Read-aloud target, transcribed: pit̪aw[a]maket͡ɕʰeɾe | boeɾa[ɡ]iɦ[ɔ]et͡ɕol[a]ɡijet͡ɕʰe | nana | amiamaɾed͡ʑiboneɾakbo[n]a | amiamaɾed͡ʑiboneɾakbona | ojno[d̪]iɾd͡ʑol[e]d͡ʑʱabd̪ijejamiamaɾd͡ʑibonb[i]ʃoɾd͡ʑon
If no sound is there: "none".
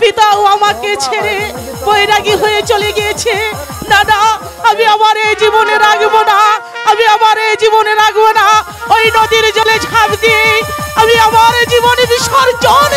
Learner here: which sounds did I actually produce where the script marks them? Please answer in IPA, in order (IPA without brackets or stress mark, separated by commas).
a, ɡ, o, e, n, d̪, e, i